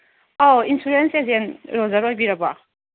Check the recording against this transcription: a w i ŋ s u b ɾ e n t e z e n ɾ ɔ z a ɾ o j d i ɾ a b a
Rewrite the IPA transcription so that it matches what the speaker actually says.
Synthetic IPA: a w i n s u ɾ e n s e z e n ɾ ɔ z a ɾ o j b i ɾ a b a